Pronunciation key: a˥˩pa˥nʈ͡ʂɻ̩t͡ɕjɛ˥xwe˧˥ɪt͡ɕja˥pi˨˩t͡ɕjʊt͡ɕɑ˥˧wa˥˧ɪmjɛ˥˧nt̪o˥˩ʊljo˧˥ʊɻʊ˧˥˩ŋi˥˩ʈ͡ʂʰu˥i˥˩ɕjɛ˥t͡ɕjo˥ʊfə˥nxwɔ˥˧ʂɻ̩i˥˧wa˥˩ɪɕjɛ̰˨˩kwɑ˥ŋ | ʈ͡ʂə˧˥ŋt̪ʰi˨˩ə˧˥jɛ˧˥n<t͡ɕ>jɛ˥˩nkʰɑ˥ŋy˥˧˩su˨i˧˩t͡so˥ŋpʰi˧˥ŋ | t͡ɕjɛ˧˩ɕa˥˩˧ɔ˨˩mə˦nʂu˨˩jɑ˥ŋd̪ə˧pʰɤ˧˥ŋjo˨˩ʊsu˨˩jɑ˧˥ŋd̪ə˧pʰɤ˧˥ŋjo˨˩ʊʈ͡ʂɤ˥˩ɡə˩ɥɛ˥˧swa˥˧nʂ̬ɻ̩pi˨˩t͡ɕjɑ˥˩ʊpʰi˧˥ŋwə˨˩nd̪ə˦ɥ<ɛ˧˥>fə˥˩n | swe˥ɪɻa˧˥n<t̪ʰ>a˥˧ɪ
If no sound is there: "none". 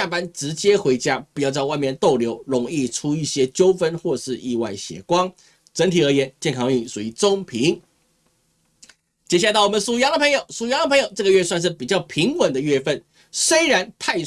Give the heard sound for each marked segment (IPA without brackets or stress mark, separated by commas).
t͡ɕ, ɛ˥˧, t̪ʰ